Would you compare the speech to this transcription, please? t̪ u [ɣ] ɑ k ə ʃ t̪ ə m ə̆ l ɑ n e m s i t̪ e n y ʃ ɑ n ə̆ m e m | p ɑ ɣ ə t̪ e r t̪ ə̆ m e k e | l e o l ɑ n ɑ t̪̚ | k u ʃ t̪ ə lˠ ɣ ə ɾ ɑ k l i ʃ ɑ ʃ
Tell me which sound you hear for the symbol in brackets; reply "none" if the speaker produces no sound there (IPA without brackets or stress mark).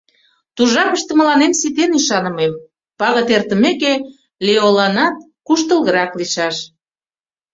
ʒ